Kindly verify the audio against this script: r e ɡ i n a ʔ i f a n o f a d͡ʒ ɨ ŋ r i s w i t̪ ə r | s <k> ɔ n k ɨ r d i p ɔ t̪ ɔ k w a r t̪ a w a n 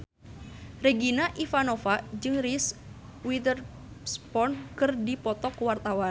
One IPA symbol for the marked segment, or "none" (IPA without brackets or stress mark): p